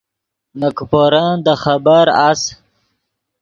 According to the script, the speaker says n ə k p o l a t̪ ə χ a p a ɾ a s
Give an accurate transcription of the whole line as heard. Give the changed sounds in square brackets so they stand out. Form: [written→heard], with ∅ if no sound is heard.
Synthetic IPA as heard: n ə k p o [l→ɾ] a [t̪→d̪] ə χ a [p→b] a ɾ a s